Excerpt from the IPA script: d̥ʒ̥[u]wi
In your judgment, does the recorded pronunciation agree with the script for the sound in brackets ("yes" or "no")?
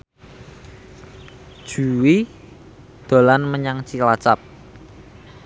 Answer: yes